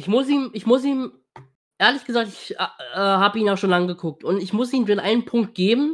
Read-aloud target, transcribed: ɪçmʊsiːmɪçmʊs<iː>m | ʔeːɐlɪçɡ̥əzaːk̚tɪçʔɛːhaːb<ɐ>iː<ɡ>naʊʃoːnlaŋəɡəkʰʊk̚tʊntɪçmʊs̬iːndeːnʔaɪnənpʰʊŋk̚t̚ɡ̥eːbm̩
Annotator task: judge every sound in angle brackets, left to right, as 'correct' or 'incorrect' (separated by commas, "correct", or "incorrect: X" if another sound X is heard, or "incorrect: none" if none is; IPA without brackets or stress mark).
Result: correct, incorrect: ə, incorrect: none